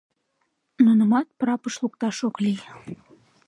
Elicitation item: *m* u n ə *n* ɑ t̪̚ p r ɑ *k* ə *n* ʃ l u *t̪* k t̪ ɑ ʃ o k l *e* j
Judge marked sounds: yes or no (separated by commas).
no, no, no, no, no, no